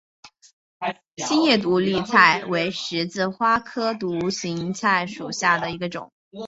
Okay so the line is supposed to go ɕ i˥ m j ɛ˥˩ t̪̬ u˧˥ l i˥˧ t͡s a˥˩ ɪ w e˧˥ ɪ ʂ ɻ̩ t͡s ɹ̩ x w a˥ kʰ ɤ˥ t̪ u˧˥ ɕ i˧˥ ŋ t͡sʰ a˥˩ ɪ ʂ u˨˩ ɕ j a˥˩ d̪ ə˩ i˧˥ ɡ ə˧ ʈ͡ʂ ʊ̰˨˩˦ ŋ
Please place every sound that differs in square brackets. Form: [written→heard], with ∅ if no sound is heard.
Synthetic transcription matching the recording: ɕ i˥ [m→n] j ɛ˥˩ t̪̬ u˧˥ l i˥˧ [t͡s→t͡sʰ] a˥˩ ɪ w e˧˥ ɪ ʂ ɻ̩ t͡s ɹ̩ x w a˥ kʰ ɤ˥ t̪ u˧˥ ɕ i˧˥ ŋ t͡sʰ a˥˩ ɪ ʂ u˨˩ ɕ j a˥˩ d̪ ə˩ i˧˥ ɡ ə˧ ʈ͡ʂ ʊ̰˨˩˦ ŋ